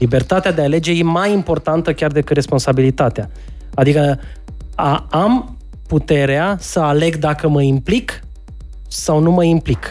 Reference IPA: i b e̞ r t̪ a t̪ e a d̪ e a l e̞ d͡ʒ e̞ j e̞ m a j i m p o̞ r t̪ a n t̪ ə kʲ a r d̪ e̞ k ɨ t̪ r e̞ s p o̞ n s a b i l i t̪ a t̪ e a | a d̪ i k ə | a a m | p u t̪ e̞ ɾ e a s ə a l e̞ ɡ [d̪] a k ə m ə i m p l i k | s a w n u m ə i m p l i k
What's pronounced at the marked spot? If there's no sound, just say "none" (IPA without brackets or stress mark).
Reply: d̪